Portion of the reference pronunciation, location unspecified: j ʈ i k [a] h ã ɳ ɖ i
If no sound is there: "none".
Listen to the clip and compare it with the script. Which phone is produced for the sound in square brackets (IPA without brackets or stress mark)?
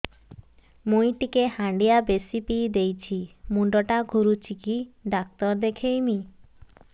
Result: e